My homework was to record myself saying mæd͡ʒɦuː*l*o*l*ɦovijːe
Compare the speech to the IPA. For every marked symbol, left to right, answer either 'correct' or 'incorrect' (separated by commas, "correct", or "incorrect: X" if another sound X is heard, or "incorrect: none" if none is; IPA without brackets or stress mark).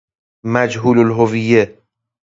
correct, correct